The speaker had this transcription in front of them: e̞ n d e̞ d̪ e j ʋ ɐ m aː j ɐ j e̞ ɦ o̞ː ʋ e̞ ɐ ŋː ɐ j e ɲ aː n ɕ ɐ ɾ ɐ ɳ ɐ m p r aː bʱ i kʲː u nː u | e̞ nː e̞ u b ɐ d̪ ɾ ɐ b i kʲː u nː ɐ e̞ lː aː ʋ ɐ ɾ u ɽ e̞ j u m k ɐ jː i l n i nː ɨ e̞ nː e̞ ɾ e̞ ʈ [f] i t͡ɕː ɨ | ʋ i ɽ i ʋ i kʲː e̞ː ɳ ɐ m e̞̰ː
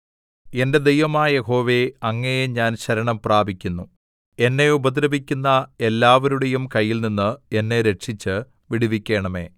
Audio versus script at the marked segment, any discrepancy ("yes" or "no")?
yes